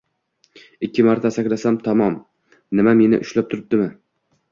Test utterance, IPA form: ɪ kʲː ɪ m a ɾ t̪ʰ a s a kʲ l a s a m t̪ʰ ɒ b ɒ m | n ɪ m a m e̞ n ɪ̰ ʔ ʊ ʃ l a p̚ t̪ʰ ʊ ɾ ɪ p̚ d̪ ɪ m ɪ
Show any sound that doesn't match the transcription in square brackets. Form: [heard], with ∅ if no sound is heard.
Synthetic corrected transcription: ɪ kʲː ɪ m a ɾ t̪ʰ a s a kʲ l a s a m t̪ʰ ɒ [m] ɒ m | n ɪ m a m e̞ n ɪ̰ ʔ ʊ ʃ l a p̚ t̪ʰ ʊ ɾ ɪ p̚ d̪ ɪ m ɪ